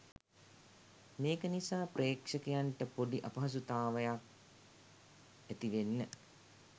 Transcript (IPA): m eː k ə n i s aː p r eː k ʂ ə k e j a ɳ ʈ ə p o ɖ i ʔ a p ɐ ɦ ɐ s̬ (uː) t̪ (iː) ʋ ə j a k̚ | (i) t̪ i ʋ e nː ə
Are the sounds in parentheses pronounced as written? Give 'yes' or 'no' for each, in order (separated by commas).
no, no, no